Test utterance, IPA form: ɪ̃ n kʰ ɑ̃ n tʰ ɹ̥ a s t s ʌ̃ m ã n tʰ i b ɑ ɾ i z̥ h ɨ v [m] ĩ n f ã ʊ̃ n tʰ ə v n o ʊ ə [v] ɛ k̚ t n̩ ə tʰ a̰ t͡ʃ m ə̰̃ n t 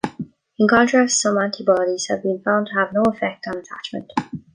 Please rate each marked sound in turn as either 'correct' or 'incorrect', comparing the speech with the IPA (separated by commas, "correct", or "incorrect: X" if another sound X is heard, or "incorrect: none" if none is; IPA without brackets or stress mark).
incorrect: b, incorrect: f